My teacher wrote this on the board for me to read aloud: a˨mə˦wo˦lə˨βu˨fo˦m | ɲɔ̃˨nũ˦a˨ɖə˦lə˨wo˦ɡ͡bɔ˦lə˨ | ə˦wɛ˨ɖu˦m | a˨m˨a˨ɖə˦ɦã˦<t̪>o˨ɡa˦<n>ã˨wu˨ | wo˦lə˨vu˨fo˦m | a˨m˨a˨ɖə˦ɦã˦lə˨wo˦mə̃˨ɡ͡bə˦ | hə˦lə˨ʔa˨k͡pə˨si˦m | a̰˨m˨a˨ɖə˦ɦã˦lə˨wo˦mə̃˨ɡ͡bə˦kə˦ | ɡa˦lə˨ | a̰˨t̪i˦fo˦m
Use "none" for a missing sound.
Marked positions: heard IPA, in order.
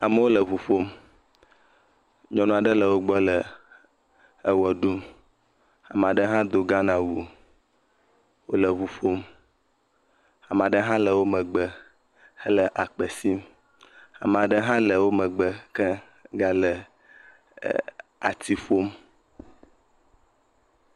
d̪, n

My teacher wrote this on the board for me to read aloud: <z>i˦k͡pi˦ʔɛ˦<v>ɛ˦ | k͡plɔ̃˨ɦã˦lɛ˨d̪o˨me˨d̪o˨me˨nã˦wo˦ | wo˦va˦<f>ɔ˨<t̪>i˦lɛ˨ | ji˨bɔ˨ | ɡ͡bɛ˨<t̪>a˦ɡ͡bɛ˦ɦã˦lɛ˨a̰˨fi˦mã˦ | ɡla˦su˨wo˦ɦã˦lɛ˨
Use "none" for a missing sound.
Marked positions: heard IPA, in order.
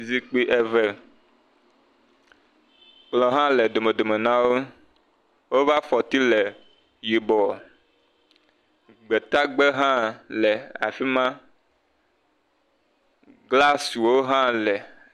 z, v, f, t̪, t̪

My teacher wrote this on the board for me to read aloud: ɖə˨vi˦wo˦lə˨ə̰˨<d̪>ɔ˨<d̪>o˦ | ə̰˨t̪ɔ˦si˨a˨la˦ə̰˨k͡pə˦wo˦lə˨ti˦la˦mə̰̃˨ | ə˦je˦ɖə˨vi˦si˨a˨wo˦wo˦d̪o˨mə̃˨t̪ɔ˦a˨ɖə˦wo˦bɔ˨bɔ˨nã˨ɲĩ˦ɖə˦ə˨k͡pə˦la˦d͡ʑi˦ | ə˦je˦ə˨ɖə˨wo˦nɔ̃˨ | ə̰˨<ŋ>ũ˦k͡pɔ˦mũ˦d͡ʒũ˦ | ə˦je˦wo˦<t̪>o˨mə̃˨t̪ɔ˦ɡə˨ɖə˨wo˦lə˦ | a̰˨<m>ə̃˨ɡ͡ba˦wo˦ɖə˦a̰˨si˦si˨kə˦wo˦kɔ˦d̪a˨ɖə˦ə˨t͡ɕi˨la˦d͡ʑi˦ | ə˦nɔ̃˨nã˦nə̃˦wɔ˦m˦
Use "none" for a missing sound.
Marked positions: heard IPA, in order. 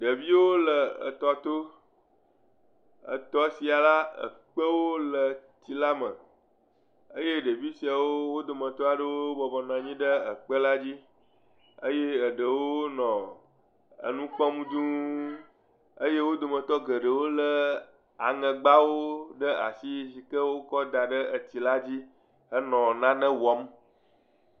t̪, t̪, n, d̪, ŋ

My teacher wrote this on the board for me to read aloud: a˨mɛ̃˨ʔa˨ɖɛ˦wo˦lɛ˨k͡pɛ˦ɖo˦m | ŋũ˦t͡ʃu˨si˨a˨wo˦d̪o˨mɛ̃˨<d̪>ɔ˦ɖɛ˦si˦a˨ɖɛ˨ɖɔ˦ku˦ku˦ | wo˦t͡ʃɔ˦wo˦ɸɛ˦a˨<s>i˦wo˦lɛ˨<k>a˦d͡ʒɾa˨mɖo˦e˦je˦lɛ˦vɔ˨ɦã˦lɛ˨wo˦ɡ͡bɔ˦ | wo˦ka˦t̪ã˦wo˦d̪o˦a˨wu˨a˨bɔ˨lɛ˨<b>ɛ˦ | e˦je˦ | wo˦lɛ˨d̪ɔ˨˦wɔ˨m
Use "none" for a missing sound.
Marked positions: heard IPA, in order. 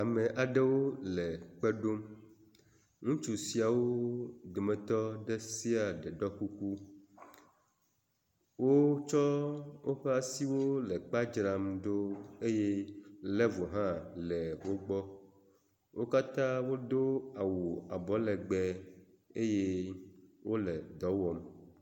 t̪, s, k͡p, ɡ͡b

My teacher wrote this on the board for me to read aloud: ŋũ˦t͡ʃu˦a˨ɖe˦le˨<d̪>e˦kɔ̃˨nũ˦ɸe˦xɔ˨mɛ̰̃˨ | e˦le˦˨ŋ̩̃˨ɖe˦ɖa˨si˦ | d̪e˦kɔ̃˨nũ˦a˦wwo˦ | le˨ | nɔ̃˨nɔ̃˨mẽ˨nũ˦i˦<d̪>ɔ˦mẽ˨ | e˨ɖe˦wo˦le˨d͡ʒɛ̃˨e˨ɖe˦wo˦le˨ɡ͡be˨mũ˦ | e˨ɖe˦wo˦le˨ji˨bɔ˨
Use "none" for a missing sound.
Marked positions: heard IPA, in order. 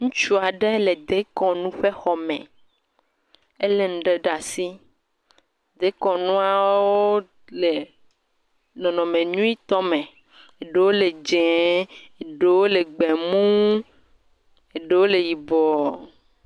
d̪, t̪

